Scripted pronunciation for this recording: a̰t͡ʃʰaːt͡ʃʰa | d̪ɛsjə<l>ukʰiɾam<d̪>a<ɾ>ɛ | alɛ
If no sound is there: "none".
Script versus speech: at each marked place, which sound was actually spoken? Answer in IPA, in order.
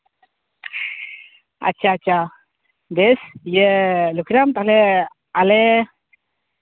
l, t̪, l

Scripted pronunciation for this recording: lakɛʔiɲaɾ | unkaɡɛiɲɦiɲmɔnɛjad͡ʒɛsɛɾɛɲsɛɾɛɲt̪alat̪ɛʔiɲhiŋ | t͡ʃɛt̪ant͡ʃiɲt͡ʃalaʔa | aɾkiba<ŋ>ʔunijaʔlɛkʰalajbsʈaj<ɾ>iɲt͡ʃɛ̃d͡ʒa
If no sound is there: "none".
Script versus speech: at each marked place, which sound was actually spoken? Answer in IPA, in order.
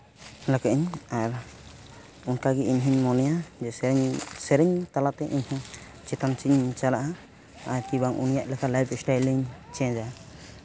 ŋ, l

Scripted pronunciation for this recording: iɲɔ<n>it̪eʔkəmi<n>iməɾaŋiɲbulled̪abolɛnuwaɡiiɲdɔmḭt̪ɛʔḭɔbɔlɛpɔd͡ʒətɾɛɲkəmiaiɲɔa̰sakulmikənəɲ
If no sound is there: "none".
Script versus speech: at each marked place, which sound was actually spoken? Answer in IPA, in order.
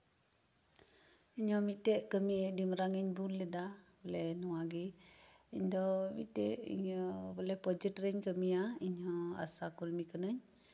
m, d

